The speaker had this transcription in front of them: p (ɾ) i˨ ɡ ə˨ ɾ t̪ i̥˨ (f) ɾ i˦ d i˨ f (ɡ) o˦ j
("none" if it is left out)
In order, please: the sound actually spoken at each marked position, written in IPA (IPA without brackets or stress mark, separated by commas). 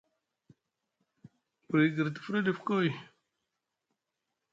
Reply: ɾ, f, k